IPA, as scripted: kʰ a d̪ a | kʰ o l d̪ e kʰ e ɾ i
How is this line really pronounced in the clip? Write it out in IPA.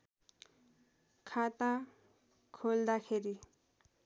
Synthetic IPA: kʰ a t̪ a | kʰ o l d̪ a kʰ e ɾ i